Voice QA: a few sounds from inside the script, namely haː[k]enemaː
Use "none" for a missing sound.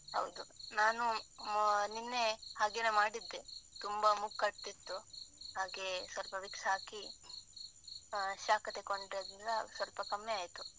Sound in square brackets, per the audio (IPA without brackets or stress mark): ɡ